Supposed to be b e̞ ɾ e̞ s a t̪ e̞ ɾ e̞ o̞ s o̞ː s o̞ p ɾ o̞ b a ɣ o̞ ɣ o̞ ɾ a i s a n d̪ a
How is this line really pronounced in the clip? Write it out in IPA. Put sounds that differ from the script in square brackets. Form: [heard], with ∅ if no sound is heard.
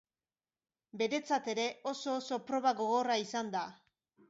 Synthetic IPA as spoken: b e̞ ɾ e̞ [t͡s] a t̪ e̞ ɾ e̞ o̞ s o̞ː s o̞ p ɾ o̞ [β] a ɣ o̞ ɣ o̞ [r] a i s a n d̪ a